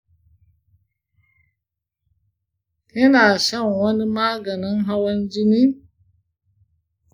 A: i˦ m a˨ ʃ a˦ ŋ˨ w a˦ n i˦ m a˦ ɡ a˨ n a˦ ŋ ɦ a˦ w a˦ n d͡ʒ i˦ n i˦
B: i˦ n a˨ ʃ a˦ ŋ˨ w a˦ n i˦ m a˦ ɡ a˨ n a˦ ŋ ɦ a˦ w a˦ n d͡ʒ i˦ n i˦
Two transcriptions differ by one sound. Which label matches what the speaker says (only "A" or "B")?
B